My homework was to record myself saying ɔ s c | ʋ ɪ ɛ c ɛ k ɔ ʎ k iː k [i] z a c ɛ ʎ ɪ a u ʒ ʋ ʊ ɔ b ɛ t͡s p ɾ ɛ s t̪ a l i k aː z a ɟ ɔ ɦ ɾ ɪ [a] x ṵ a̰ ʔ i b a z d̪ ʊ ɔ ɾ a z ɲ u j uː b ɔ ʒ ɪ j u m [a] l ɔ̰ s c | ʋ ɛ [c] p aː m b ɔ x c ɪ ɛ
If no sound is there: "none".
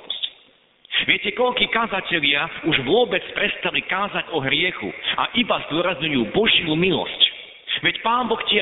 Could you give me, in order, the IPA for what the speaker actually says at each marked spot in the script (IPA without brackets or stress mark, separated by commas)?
a, ɛ, i, c